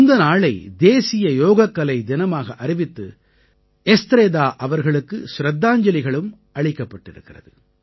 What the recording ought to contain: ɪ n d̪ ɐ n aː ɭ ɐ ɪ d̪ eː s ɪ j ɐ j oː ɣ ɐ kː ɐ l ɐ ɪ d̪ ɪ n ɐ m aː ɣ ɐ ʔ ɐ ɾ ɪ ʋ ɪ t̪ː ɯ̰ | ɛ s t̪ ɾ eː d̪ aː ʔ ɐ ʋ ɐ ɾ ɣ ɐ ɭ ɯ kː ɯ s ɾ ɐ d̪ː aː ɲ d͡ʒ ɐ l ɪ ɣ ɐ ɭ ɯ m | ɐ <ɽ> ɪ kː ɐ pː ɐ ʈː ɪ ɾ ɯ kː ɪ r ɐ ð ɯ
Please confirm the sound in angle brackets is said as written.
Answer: no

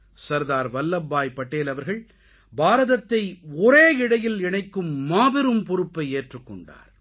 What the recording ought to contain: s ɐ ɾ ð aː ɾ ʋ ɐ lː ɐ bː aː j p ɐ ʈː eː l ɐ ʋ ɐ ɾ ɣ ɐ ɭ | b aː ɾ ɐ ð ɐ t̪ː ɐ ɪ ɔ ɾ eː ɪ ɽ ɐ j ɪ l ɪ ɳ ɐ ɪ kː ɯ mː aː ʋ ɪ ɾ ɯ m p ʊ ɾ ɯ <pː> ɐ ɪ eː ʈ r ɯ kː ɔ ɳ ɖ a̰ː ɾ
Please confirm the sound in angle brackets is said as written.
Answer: yes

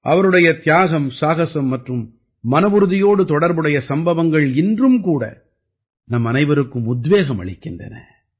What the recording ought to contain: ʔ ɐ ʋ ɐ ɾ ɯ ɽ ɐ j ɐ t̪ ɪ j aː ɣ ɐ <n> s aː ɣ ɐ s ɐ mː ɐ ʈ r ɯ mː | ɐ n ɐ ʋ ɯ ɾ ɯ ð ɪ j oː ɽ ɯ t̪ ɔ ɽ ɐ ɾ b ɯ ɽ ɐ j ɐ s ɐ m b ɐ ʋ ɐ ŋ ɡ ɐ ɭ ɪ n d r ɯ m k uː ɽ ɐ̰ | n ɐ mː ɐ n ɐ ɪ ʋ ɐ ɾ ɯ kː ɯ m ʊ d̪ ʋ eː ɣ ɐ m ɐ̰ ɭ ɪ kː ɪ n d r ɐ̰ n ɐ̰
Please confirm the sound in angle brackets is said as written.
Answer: no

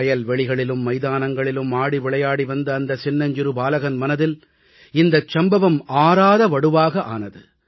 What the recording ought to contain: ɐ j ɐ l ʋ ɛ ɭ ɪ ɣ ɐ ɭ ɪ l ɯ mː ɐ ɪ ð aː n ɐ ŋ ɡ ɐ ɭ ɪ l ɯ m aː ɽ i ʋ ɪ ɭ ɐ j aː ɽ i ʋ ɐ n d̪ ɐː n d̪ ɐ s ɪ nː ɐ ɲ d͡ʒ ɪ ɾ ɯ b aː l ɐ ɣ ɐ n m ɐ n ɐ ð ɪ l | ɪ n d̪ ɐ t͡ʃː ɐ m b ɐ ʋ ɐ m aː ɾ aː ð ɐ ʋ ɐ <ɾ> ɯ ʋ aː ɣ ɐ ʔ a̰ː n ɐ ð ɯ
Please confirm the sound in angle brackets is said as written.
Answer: no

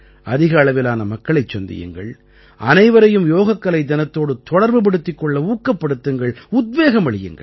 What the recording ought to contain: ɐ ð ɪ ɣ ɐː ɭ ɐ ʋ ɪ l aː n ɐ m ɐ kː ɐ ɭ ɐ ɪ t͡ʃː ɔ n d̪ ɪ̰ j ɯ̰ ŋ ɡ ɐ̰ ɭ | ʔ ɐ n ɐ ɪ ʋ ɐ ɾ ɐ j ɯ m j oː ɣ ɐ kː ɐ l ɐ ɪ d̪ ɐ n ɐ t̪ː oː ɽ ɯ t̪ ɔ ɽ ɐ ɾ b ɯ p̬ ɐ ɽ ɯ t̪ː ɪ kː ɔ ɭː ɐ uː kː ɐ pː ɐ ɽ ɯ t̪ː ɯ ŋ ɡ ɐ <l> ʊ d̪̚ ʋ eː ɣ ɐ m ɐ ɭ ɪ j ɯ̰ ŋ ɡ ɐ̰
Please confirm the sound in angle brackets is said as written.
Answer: no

